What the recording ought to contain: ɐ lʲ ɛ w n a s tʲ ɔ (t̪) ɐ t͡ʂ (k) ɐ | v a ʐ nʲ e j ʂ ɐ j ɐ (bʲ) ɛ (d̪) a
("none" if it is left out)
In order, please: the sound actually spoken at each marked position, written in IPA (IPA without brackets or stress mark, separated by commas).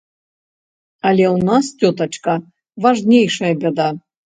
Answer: t̪, k, bʲ, d̪